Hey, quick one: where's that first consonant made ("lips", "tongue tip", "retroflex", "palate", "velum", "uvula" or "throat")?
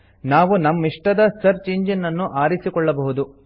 tongue tip